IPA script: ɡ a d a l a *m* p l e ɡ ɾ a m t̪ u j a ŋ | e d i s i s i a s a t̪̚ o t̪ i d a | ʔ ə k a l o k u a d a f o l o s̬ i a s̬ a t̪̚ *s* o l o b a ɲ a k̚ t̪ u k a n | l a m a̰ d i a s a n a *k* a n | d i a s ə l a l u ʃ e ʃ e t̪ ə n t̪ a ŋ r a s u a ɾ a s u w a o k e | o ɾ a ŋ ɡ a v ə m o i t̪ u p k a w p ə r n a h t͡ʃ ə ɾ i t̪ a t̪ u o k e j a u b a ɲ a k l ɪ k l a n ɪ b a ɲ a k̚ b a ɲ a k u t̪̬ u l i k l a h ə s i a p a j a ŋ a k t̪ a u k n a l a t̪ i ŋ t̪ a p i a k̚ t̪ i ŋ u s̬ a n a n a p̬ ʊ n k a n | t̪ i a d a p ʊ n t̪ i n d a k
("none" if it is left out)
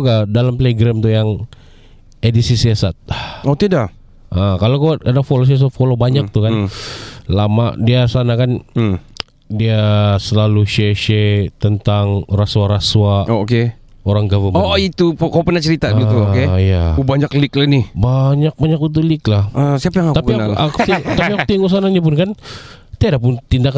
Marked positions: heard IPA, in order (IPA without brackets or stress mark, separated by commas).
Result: m, f, k